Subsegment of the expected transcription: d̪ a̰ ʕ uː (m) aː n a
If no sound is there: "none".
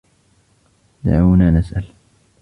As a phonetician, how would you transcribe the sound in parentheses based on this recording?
n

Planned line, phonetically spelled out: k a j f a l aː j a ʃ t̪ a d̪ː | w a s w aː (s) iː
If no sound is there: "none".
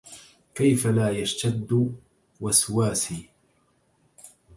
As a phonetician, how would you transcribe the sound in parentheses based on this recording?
s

